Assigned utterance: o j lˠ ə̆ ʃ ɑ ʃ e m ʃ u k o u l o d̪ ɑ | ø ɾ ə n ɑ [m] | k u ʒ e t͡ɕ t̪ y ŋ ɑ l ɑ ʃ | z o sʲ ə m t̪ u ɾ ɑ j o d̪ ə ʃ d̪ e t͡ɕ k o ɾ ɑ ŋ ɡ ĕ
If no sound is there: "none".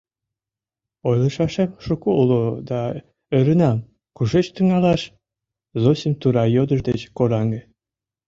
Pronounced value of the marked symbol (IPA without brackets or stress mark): m